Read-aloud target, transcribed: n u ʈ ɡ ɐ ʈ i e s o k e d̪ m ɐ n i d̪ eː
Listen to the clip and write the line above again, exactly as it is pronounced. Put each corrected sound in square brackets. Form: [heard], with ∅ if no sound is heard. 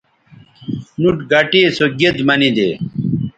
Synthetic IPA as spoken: n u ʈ ɡ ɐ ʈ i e s o [ɡ] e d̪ m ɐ n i d̪ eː